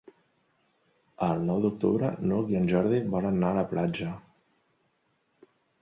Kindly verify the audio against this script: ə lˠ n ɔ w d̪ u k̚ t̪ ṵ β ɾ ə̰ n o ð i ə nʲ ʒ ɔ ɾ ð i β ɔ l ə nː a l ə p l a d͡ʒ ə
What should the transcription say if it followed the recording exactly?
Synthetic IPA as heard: ə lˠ n ɔ w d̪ u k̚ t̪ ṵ β ɾ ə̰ n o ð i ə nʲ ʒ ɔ ɾ ð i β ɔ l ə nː a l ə p l a d͡ʒ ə